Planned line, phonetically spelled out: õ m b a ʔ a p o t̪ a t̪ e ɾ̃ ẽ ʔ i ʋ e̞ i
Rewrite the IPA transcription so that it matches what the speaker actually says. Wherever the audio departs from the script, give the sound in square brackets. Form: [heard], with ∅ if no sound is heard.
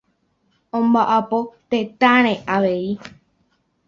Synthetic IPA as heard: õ m b a ʔ a p o t̪ [e] t̪ [a] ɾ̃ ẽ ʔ [a] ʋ e̞ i